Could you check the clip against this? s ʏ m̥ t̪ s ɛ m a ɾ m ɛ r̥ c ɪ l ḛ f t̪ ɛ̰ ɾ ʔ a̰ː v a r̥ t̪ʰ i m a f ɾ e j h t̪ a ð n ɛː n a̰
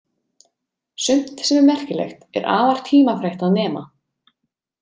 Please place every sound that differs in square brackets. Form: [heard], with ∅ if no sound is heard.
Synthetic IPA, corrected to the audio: s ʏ m̥ t̪ s ɛ m [ɛ] ɾ m ɛ r̥ c ɪ l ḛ [x] t̪ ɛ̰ ɾ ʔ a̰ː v a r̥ t̪ʰ [iː] m a f ɾ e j h t̪ a ð n ɛː [m] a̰